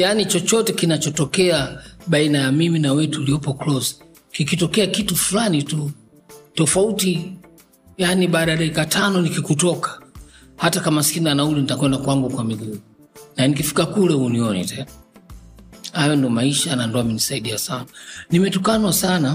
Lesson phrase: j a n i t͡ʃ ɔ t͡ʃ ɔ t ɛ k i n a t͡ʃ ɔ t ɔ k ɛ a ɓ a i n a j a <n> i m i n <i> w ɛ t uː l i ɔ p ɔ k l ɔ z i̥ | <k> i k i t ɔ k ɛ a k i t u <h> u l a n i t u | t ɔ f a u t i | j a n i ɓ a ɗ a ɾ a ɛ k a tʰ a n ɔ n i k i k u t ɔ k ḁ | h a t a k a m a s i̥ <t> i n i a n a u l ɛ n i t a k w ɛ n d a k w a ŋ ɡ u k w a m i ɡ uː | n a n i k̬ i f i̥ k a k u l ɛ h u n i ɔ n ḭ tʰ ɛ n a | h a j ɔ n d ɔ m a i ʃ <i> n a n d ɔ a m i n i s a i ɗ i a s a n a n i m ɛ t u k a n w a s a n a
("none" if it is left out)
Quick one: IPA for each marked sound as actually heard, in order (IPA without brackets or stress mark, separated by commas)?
m, a, k, f, k, a